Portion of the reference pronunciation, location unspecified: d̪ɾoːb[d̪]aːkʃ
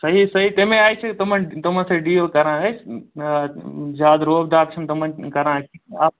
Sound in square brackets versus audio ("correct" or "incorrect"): correct